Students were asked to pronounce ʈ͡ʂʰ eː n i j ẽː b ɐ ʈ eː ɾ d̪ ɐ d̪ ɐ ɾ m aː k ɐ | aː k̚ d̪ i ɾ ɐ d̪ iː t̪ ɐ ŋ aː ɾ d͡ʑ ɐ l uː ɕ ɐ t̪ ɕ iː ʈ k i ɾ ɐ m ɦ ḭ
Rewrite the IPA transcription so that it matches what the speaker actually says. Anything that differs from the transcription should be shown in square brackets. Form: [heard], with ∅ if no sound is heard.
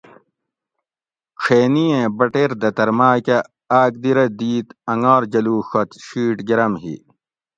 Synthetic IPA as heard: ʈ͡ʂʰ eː n i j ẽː b ɐ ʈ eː ɾ d̪ ɐ [t̪] ɐ ɾ m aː k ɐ | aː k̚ d̪ i ɾ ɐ d̪ iː t̪ ɐ ŋ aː ɾ d͡ʑ ɐ l uː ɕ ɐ t̪ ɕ iː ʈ [ɡ] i ɾ ɐ m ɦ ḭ